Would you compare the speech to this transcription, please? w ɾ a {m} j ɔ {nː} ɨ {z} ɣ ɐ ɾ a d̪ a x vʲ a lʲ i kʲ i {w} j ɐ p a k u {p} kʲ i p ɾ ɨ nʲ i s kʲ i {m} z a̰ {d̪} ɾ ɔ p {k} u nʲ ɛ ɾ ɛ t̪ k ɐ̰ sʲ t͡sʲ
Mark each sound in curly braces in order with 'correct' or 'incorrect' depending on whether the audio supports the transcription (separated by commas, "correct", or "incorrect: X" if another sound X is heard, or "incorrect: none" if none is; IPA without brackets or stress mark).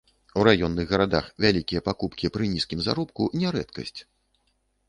incorrect: none, correct, incorrect: ɣ, incorrect: none, correct, correct, incorrect: none, correct